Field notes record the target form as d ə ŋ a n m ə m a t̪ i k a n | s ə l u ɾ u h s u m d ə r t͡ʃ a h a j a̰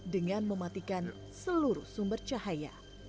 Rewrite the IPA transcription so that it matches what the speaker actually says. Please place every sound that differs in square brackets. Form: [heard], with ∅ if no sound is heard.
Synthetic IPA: d ə ŋ a n m ə m a t̪ i k a n | s ə l u ɾ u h s u m [b] ə r t͡ʃ a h a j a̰